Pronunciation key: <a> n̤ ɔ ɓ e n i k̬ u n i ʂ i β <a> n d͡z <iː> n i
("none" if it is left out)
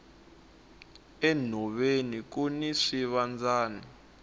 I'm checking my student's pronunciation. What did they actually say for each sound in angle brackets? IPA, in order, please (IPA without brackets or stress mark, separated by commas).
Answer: ɛ, a, aː